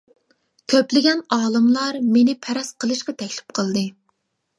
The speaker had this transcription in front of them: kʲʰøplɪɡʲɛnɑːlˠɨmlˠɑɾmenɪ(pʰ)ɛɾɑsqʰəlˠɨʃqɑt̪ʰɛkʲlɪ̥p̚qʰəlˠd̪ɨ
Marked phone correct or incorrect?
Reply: correct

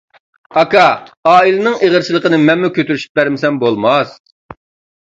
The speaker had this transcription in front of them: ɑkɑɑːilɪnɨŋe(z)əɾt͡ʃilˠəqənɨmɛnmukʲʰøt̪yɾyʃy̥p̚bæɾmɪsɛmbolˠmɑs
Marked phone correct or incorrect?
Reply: incorrect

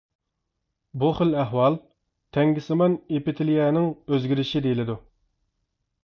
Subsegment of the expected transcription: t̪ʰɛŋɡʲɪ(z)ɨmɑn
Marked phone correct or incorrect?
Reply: incorrect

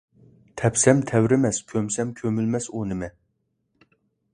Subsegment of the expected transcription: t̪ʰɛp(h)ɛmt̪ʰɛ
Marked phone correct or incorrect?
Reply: incorrect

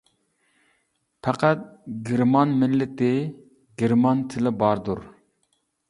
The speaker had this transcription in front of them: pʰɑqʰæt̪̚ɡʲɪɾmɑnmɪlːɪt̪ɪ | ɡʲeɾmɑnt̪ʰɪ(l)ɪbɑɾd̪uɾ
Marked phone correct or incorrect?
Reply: correct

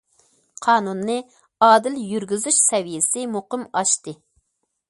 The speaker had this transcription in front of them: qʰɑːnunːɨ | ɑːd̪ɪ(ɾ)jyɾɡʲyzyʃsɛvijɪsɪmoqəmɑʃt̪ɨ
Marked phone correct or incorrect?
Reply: incorrect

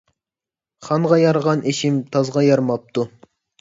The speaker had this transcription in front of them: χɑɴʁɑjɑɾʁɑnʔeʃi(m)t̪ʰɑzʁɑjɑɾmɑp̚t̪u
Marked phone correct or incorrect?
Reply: correct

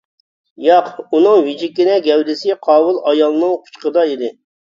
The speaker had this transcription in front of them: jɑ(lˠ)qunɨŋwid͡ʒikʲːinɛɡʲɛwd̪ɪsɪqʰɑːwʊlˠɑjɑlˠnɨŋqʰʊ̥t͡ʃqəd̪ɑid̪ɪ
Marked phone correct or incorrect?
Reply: incorrect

